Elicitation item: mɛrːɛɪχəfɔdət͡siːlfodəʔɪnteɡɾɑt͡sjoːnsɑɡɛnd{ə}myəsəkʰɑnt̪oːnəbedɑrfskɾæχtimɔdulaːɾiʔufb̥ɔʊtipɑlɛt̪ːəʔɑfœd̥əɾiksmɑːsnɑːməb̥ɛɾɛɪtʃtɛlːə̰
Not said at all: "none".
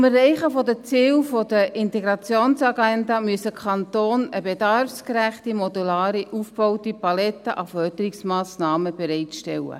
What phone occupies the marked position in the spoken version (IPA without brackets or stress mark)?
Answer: ɑ